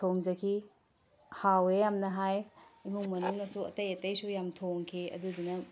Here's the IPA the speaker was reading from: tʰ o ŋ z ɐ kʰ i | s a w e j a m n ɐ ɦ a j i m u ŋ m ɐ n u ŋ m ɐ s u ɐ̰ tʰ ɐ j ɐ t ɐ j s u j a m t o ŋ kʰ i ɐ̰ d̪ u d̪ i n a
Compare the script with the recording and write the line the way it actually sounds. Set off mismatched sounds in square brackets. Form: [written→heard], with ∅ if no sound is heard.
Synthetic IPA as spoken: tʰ o ŋ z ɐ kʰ i | [s→h] a w e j a m n ɐ ɦ a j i m u ŋ m ɐ n u ŋ [m→n] ɐ s u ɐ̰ [tʰ→t] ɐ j ɐ t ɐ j s u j a m [t→tʰ] o ŋ kʰ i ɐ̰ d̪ u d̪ i n [a→ɐ]